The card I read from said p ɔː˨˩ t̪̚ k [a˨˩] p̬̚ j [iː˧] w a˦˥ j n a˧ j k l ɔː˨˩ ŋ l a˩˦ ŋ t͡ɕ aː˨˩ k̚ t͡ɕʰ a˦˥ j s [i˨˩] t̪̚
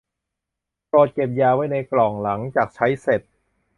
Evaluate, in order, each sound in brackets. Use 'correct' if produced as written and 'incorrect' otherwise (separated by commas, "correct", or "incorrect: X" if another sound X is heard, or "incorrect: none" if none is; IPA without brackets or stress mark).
incorrect: e˨˩, incorrect: aː˧, incorrect: e˨˩